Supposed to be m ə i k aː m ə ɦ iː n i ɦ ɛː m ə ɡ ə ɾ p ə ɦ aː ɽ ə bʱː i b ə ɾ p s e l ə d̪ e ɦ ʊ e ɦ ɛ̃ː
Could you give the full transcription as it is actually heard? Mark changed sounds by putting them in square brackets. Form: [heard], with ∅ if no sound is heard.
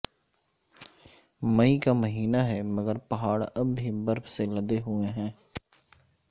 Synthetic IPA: m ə i k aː m ə ɦ iː n [a] ɦ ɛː m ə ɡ ə ɾ p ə ɦ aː ɽ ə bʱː i b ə ɾ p s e l ə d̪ e ɦ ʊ e ɦ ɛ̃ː